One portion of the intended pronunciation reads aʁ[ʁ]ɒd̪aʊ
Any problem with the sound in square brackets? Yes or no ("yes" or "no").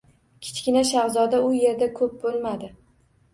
yes